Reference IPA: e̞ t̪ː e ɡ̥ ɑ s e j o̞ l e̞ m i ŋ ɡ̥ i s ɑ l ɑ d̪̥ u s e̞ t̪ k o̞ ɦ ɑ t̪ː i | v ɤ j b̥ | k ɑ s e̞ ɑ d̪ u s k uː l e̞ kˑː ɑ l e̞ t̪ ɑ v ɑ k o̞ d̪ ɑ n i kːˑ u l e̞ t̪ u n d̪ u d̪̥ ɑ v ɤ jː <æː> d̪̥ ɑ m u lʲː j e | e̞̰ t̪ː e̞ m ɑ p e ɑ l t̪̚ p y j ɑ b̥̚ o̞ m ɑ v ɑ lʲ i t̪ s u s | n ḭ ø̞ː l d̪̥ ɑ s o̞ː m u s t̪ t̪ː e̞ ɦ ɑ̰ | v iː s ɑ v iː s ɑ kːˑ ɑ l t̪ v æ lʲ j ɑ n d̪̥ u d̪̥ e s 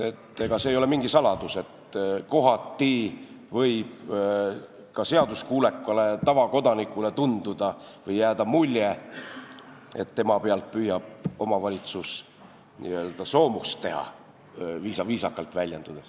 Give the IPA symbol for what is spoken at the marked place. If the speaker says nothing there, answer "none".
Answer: æː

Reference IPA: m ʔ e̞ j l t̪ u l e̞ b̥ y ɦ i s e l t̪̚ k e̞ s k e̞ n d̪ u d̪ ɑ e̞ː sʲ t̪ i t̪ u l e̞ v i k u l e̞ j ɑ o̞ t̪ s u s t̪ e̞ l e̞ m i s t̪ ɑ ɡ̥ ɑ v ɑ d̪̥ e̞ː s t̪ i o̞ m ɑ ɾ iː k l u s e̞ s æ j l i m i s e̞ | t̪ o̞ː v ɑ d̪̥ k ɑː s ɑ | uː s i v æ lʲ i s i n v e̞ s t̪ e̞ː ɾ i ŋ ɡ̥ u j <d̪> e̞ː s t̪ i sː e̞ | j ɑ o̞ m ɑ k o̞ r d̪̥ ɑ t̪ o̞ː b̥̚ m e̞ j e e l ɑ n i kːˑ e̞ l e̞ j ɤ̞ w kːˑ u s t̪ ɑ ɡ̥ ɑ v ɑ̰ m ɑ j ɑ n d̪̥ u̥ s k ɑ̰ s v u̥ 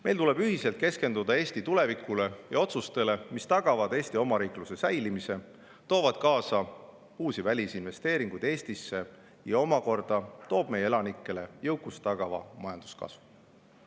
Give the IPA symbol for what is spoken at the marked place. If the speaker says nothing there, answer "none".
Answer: d̪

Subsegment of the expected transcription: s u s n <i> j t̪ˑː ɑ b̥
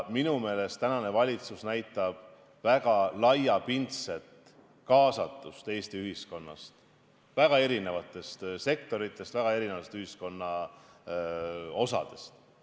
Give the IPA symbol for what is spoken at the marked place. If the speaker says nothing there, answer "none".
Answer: æ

